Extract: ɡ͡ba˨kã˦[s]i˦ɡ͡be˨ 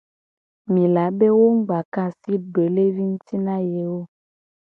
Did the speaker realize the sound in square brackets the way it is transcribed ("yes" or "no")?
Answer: yes